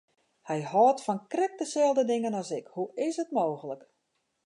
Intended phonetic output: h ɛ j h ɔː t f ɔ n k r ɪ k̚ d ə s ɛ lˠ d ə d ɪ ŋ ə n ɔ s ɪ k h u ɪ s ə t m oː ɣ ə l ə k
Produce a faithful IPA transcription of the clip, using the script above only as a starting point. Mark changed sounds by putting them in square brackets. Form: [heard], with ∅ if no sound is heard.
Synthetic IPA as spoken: h ɛ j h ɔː t f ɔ n k r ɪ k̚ d ə s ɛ lˠ d ə d ɪ ŋ ə n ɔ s ɪ k h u ɪ s ə t m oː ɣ ə l ə k